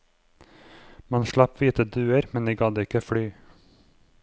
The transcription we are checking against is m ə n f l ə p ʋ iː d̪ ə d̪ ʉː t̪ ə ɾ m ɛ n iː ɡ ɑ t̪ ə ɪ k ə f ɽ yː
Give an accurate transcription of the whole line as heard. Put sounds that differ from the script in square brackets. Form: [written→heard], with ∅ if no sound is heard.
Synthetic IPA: m [ə→ɑ] n [f→ʃ] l [ə→ɑ] p ʋ iː [d̪→t̪] ə d̪ ʉː [t̪→∅] ə ɾ m ɛ n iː ɡ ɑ [t̪→d̪] ə ɪ k ə f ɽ yː